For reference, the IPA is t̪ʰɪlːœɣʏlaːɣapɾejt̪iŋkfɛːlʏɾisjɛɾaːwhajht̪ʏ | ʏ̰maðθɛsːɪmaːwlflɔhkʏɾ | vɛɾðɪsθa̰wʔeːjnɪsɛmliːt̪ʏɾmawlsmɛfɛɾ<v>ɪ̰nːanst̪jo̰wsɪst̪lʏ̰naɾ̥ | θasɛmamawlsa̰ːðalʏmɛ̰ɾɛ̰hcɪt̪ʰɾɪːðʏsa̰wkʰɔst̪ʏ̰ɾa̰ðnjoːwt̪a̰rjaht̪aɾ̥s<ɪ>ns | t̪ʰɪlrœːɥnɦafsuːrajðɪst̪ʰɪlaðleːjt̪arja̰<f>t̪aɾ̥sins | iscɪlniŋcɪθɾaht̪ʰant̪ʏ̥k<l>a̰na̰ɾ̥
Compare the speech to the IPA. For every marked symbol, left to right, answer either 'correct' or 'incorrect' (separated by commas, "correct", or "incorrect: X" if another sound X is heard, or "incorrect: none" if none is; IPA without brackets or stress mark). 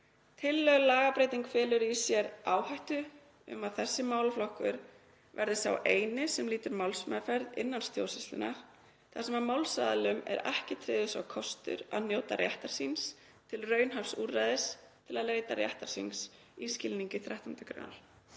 incorrect: ð, incorrect: i, incorrect: h, incorrect: ɾ